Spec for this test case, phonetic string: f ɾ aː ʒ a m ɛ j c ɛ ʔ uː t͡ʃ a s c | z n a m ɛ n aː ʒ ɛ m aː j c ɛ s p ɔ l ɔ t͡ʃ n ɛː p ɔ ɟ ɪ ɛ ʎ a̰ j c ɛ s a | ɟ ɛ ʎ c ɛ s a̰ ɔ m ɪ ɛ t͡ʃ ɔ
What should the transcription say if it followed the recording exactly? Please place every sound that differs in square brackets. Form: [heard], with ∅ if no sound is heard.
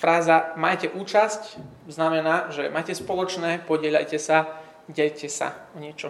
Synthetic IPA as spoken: f ɾ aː [z] a m [a] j c ɛ ʔ uː t͡ʃ a s c | z n a m ɛ n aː ʒ ɛ m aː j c ɛ s p ɔ l ɔ t͡ʃ n ɛː p ɔ ɟ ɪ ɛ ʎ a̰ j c ɛ s a | ɟ ɛ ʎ c ɛ s a̰ ɔ [ɲ] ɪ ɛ t͡ʃ ɔ